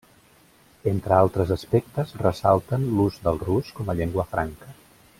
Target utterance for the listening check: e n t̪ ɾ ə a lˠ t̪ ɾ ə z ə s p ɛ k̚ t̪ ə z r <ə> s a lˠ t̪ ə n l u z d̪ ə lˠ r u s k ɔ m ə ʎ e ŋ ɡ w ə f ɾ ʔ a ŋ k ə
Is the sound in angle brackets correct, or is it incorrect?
correct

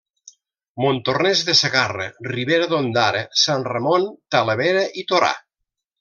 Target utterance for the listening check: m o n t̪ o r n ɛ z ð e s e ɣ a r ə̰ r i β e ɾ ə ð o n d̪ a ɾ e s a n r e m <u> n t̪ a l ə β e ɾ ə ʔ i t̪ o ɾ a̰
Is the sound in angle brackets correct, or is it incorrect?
incorrect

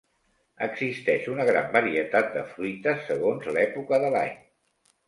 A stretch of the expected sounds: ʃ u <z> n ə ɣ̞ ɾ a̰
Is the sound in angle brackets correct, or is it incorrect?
incorrect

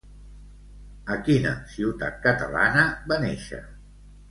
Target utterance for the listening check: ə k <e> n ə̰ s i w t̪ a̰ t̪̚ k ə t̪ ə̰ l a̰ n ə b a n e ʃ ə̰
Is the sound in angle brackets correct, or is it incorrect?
incorrect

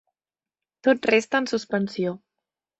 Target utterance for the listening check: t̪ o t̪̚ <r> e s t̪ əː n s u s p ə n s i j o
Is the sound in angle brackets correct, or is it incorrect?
correct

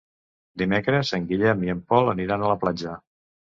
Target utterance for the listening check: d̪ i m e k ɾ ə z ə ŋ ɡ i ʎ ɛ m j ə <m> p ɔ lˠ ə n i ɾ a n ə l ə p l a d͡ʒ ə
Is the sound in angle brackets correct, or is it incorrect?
correct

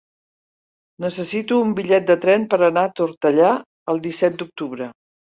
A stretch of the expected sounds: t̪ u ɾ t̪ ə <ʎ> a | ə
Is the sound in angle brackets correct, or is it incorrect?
correct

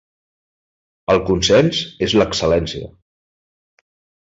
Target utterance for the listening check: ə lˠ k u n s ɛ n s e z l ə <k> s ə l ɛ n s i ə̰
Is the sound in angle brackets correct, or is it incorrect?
correct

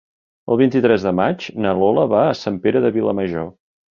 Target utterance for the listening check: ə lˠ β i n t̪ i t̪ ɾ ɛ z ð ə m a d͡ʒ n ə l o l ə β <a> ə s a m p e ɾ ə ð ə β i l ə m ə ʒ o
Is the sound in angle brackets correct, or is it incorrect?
correct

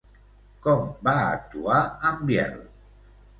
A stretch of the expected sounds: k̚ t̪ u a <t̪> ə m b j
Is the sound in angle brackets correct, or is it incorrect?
incorrect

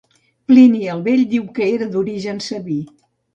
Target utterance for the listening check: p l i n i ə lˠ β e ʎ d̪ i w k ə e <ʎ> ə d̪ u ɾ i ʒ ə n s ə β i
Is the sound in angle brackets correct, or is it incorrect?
incorrect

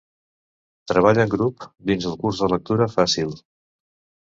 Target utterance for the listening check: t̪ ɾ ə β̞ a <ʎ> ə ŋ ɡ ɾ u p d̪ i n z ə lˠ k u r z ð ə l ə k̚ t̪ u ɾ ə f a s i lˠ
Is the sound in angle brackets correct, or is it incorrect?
correct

